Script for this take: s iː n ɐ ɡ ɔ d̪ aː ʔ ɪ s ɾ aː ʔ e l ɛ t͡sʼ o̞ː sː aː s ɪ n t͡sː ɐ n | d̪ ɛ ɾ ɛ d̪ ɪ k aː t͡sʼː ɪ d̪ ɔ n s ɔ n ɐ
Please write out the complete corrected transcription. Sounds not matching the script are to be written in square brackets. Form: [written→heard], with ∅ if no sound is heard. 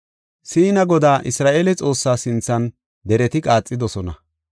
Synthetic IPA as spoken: s iː n ɐ ɡ ɔ d̪ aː ʔ ɪ s ɾ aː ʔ e l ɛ t͡sʼ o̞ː sː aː s ɪ n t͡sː ɐ n | d̪ ɛ ɾ ɛ [d̪→t̪] ɪ [k→kʼ] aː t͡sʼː ɪ d̪ ɔ [n→∅] s ɔ n ɐ